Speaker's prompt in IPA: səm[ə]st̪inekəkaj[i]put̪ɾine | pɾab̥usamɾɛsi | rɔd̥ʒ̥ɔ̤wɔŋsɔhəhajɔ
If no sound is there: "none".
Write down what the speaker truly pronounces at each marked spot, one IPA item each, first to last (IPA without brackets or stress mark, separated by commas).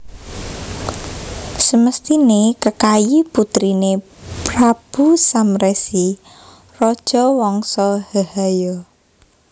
ə, i